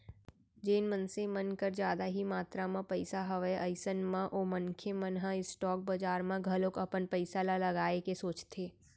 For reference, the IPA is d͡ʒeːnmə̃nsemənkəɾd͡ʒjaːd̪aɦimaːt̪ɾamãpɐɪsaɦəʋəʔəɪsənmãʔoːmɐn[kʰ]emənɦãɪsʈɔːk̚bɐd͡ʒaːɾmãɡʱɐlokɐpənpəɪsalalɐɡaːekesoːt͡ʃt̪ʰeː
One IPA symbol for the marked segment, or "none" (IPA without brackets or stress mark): kʰ